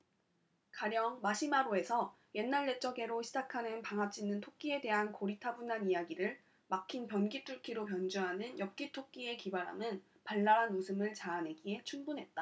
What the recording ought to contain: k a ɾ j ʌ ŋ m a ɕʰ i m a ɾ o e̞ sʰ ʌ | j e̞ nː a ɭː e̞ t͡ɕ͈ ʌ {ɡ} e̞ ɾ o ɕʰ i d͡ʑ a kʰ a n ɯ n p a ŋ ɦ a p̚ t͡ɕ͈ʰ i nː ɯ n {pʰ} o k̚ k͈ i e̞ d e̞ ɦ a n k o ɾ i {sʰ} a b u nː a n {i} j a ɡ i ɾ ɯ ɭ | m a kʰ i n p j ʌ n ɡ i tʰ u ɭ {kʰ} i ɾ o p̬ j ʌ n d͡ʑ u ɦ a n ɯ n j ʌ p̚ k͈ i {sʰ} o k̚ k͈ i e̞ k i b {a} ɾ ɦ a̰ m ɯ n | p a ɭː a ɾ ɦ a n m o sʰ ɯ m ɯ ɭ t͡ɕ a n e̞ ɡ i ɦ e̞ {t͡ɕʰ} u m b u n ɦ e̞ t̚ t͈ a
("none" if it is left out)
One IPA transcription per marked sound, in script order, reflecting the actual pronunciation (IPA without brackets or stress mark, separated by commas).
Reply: ɡ, tʰ, tʰ, i, kʰ, tʰ, a, t͡ɕʰ